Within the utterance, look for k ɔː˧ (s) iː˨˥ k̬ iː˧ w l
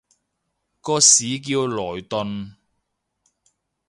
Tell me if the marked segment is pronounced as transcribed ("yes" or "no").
yes